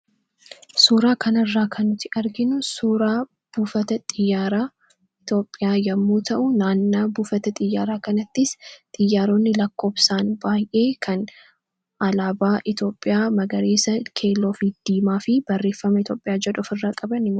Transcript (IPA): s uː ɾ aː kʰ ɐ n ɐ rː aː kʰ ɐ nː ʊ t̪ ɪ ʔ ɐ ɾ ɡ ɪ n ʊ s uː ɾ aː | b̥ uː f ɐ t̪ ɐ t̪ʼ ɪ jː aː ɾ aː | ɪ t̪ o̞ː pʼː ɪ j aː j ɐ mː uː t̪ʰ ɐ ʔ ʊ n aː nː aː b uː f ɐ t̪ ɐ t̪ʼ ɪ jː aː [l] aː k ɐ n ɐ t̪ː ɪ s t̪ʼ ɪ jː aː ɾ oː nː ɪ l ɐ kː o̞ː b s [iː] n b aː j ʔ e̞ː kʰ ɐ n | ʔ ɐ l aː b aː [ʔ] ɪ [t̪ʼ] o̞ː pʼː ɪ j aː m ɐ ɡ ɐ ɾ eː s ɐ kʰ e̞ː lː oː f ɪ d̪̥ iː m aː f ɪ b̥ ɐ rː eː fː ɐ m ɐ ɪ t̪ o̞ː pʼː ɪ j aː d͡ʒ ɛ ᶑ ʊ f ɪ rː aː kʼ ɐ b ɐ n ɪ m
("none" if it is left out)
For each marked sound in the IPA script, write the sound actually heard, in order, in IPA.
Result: ɾ, aː, ʔ, t̪

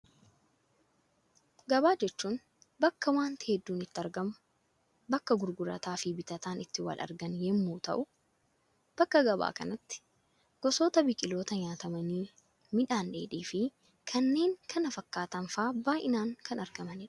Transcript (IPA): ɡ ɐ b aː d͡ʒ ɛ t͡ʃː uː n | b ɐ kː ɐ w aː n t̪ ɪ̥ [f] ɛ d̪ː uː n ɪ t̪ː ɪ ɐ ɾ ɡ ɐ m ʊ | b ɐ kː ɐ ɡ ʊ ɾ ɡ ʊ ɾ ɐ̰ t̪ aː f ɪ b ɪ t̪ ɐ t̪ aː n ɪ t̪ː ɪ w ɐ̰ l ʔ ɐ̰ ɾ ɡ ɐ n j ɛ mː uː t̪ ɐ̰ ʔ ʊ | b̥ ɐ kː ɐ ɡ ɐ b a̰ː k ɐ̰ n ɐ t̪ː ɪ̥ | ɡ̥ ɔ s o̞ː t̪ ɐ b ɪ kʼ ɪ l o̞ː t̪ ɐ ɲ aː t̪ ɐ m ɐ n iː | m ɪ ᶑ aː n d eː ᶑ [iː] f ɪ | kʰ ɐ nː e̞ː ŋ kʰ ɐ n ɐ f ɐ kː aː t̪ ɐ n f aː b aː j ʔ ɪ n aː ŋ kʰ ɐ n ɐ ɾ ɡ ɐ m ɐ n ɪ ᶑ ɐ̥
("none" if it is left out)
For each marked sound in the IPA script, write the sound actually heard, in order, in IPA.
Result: h, iː

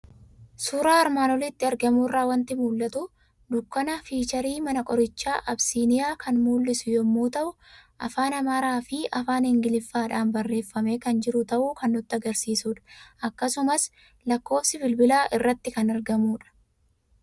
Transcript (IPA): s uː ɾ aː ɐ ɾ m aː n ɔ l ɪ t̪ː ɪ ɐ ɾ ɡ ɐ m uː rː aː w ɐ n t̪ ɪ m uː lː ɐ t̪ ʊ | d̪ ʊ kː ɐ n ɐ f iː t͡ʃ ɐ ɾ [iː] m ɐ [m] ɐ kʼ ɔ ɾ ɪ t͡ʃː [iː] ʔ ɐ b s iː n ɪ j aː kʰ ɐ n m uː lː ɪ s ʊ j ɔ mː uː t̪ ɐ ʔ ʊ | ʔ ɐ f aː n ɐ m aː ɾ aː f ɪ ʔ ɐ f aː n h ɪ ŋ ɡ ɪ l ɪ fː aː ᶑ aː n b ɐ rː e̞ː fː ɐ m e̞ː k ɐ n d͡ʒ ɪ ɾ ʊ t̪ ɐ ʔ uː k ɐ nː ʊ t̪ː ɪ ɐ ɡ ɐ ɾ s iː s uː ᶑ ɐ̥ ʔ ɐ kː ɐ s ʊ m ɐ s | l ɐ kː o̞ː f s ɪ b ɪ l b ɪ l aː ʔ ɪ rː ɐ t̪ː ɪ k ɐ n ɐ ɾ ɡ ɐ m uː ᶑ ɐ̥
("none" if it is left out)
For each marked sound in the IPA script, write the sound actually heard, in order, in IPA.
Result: iː, n, aː

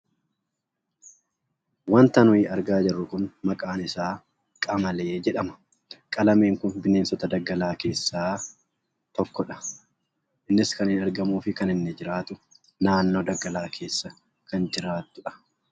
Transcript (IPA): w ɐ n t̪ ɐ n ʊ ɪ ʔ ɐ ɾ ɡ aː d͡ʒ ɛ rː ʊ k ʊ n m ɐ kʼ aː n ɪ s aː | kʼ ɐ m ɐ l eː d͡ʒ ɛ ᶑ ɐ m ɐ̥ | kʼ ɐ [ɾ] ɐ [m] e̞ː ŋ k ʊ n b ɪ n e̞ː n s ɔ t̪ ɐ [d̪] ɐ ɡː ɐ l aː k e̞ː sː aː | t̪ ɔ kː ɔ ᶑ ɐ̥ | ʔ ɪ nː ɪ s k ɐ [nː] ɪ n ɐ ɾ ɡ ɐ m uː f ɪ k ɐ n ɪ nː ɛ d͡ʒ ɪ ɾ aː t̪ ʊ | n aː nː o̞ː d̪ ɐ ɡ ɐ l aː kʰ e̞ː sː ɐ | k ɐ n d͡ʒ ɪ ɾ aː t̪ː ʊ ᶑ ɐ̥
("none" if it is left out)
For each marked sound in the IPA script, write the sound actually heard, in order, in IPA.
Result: l, m, d̪, n

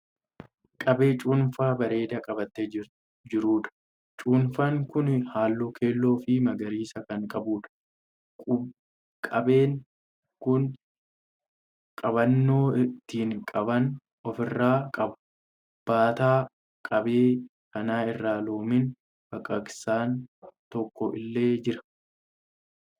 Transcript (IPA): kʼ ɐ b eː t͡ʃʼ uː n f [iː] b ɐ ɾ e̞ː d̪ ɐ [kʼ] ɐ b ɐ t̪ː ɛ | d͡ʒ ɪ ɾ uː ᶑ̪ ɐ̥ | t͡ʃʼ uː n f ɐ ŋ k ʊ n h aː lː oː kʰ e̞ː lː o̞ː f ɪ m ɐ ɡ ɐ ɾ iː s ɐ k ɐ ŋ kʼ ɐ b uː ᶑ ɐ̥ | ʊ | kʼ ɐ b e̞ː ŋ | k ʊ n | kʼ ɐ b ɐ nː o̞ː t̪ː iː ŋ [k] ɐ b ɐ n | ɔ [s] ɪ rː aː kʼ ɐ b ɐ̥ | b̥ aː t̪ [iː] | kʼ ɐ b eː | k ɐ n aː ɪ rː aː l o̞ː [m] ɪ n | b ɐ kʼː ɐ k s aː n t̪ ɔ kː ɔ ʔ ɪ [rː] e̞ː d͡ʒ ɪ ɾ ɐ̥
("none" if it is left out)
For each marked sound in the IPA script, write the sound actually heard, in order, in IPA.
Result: aː, kʼ, kʼ, f, aː, m, lː

